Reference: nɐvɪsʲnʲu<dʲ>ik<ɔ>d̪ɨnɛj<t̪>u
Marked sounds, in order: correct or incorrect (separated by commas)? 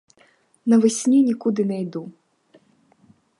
incorrect, incorrect, incorrect